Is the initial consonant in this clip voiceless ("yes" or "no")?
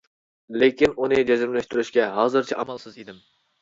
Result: no